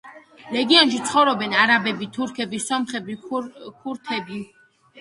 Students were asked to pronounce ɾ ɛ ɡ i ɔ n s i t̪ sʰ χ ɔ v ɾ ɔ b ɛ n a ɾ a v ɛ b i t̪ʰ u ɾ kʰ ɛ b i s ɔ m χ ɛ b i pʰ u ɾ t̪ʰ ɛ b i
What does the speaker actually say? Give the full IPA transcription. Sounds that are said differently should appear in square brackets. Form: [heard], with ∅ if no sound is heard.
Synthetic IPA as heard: ɾ ɛ ɡ i ɔ n [ʃ] i t̪ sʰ χ ɔ v ɾ ɔ b ɛ n a ɾ a [b] ɛ b i t̪ʰ u ɾ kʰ ɛ b i s ɔ m χ ɛ b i [kʰ] u ɾ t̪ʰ ɛ b i